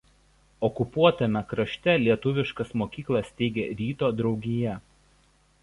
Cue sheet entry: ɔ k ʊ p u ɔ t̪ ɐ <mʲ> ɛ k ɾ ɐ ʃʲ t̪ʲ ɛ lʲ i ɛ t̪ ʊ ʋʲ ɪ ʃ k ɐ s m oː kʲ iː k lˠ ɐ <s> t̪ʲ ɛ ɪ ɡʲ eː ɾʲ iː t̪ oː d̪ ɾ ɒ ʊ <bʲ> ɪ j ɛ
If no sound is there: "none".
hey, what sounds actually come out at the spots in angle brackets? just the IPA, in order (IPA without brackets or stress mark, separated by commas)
mʲ, s, ɡʲ